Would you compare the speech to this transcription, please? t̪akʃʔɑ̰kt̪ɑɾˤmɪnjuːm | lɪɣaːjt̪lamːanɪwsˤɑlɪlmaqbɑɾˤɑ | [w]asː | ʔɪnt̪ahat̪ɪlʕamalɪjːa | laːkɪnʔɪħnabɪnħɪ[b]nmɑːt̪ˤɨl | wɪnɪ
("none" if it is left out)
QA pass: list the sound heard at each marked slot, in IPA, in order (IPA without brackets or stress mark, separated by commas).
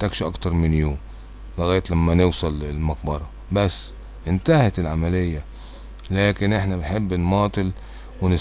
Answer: b, bː